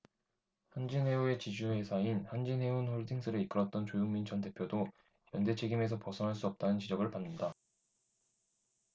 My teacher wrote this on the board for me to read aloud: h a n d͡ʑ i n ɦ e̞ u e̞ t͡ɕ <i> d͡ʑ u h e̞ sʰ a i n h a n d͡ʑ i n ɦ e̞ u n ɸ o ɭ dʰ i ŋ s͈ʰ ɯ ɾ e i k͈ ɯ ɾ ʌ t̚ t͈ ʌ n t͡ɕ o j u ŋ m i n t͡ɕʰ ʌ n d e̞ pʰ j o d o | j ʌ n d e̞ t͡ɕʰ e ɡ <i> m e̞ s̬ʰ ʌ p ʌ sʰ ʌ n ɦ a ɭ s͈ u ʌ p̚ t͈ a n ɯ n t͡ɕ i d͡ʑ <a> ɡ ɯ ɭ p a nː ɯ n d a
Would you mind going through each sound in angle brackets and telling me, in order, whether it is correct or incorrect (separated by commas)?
correct, correct, incorrect